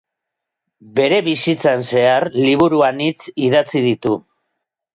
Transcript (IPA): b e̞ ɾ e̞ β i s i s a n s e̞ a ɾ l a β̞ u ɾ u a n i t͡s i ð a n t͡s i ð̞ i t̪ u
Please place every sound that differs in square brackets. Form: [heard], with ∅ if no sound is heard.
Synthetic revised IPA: b e̞ ɾ e̞ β i s i [t͡s] a n s e̞ a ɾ l [i] β̞ u ɾ u a n i t͡s i ð a [∅] t͡s i ð̞ i t̪ u